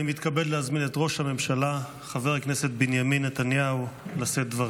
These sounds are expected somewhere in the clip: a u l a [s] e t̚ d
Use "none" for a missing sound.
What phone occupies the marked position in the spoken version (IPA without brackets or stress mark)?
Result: s